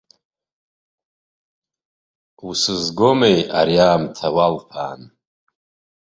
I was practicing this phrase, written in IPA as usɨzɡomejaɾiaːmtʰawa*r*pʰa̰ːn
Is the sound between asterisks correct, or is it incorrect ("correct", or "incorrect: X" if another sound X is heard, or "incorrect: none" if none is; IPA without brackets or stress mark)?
incorrect: l